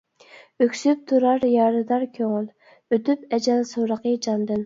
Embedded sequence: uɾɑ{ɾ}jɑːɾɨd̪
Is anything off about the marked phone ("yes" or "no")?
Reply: no